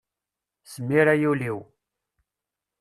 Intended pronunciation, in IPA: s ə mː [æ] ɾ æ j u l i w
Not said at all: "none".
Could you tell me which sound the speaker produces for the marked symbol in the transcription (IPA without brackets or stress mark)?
i